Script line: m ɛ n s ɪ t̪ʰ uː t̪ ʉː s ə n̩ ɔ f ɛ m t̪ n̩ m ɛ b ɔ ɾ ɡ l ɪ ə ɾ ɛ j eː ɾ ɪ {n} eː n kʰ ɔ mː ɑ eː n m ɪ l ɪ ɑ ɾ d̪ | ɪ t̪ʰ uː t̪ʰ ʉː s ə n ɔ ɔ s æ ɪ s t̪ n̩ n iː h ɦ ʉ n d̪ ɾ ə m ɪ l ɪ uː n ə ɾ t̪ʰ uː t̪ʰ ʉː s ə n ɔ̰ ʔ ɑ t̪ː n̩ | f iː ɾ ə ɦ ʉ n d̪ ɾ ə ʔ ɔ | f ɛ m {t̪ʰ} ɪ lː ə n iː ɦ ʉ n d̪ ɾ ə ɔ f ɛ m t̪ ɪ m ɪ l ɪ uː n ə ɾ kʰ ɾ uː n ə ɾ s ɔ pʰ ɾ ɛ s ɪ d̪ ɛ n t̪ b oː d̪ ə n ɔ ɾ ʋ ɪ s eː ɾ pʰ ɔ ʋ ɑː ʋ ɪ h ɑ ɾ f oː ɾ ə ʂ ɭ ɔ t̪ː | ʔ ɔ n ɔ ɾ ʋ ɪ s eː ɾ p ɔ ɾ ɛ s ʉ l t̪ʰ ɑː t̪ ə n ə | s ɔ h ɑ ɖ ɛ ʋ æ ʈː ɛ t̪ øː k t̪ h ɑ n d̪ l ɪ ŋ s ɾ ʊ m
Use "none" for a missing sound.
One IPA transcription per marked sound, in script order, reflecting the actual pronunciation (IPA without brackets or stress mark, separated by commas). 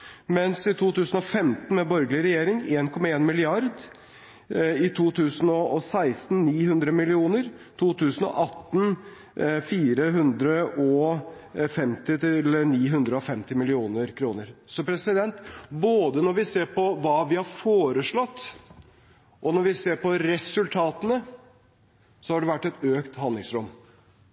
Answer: ŋ, t̪